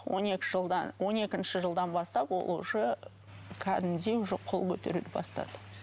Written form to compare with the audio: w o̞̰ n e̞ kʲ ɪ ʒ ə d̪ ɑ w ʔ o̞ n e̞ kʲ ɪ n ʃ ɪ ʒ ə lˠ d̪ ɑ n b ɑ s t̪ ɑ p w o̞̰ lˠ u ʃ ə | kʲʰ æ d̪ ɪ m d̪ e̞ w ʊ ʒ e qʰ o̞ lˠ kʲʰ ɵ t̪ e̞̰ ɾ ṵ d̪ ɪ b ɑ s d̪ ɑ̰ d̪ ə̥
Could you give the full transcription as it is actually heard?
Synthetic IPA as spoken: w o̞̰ n e̞ kʲ ɪ ʒ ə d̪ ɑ w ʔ o̞ n e̞ kʲ ɪ n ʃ ɪ ʒ ə lˠ d̪ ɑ n b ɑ s t̪ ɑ p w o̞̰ lˠ u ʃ ə | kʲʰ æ d̪ ɪ m d̪ e̞ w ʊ ʒ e qʰ o̞ lˠ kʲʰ ɵ t̪ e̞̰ ɾ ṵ d̪ ɪ b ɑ s t̪ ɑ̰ d̪ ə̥